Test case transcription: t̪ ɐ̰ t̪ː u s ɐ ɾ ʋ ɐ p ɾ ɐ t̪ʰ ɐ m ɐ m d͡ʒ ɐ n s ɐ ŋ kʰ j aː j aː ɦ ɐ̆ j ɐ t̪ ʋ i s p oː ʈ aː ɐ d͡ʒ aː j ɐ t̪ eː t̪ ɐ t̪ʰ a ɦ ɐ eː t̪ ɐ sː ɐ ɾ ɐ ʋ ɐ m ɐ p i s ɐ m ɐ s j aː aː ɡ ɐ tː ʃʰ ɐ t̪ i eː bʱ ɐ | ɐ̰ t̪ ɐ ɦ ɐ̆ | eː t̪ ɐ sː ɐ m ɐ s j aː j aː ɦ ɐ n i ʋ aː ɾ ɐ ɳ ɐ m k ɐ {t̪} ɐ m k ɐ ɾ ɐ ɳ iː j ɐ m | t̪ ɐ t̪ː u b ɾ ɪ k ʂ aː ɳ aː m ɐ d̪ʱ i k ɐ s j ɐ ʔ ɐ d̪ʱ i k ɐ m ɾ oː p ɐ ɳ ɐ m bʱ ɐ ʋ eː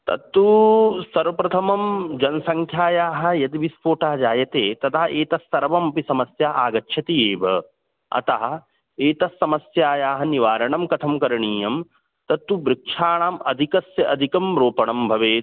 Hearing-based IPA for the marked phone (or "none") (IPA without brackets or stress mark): t̪ʰ